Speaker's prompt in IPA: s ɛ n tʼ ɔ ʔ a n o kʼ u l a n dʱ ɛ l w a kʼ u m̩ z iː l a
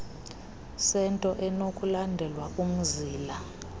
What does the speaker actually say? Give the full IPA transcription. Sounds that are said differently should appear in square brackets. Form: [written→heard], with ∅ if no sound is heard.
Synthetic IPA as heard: s ɛ n tʼ ɔ ʔ [a→ɛ] n o kʼ u l a n dʱ ɛ l w a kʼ u m̩ z iː l a